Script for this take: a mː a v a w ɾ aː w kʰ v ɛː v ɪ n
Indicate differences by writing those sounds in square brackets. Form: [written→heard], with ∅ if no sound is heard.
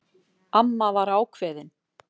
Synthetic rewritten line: a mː a v a [w→∅] ɾ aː w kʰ v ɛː [v→ð] ɪ n